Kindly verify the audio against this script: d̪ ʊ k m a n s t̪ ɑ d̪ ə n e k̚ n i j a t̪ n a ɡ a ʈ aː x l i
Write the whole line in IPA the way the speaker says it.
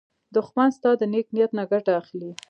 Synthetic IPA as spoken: d̪ ʊ x m a n s t̪ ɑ d̪ ə n e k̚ n i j a t̪ n a ɡ a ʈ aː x l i